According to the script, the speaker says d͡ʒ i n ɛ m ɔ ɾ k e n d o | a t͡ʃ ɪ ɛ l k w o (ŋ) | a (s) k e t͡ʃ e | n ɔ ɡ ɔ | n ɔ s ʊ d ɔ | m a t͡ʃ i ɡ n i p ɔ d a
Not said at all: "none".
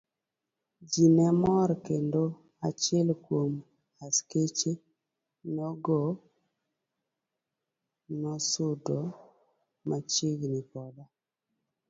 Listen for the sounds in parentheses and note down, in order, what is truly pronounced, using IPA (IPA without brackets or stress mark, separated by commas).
m, s